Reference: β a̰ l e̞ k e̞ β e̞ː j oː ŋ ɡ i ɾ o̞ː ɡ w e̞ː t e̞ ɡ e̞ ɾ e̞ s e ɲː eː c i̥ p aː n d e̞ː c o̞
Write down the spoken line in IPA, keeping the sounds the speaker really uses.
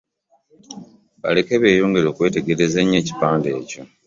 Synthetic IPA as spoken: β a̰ l e̞ k e̞ β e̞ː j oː ŋ ɡ e ɾ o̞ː k w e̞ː t e̞ ɡ e̞ ɾ e̞ z e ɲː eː c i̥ p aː n d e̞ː c o̞